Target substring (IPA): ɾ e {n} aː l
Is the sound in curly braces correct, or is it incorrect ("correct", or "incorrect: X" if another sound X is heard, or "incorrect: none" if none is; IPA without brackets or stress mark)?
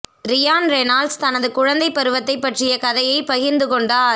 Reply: correct